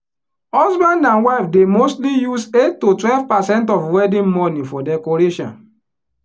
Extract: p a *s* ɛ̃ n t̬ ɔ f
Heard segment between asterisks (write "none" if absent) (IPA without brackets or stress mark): s